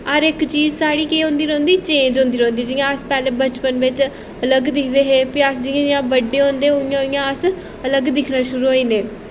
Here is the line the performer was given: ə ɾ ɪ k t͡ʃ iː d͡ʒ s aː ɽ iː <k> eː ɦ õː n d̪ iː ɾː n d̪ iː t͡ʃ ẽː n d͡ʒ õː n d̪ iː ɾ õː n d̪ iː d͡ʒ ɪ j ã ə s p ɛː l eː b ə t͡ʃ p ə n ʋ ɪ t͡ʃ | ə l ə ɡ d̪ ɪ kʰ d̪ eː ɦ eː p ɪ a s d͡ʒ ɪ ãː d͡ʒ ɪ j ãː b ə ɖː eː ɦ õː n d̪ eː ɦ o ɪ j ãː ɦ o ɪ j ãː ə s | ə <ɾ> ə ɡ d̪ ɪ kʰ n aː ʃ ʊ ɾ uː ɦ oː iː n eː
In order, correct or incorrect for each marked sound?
correct, incorrect: l

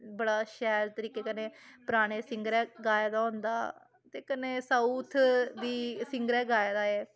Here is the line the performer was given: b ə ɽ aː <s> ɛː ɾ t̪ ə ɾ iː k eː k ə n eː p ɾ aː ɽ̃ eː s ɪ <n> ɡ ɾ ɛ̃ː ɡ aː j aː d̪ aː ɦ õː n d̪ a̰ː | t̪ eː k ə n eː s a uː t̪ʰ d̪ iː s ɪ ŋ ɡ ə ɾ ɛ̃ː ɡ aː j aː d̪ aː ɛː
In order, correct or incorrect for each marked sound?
incorrect: ʃ, incorrect: ŋ

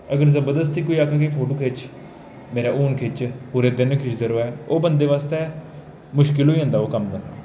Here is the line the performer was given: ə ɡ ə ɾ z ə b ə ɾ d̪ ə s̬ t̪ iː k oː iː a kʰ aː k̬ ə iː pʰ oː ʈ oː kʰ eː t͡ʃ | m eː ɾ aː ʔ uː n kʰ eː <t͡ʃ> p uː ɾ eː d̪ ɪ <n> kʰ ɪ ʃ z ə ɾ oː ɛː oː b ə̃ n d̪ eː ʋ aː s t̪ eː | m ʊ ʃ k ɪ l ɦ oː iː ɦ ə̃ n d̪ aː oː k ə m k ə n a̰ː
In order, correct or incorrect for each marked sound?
correct, correct

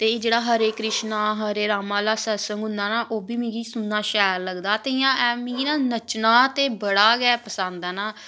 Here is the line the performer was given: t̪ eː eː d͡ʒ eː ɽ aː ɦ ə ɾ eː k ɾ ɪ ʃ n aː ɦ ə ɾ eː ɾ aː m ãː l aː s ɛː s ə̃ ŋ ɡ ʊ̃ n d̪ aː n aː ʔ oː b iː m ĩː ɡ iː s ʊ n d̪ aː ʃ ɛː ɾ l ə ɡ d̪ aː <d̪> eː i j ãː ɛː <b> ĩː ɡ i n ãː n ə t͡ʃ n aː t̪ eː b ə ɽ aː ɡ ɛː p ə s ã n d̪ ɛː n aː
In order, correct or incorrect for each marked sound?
incorrect: t̪, incorrect: m

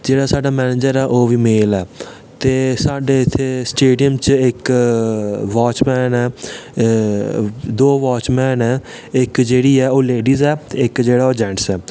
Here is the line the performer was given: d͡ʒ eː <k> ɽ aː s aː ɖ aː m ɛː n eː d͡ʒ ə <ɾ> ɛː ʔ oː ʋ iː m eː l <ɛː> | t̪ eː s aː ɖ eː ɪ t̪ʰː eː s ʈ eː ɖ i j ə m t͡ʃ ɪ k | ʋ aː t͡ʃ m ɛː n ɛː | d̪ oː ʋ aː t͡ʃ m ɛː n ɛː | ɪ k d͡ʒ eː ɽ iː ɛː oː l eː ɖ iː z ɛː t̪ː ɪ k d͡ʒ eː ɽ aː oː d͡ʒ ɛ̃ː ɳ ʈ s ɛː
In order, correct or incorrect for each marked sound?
incorrect: none, correct, correct

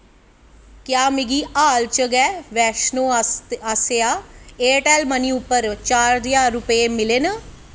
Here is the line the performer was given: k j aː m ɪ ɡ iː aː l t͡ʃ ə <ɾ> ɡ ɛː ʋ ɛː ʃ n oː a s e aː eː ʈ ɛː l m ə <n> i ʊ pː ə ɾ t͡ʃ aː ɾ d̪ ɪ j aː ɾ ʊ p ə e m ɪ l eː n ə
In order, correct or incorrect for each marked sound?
incorrect: none, correct

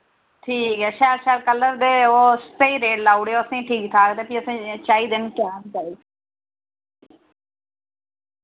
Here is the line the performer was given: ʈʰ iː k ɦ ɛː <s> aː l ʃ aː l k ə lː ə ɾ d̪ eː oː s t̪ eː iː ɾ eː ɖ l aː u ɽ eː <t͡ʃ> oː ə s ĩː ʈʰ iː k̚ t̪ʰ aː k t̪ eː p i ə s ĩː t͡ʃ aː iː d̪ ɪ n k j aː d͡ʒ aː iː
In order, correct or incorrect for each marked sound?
incorrect: ʃ, incorrect: none

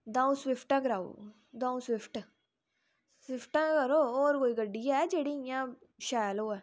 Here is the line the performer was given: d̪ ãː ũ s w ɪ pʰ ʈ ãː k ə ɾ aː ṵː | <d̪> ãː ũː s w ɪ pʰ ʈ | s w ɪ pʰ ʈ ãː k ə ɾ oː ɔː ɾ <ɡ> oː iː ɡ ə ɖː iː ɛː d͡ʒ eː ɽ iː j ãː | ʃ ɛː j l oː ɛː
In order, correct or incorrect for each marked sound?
correct, incorrect: k

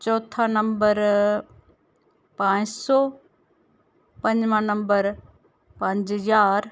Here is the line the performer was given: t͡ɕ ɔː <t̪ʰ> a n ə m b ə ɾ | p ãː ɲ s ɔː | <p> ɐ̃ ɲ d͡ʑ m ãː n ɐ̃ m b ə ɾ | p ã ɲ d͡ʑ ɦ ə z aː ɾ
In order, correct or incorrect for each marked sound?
correct, correct

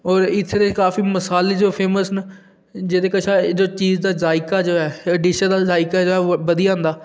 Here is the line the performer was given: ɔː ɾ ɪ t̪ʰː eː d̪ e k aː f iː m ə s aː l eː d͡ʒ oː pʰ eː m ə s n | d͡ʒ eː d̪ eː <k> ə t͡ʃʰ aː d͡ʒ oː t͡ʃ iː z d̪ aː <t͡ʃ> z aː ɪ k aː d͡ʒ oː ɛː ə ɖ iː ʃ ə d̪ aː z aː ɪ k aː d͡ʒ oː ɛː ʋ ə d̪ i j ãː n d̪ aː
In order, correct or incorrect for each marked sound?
correct, incorrect: none

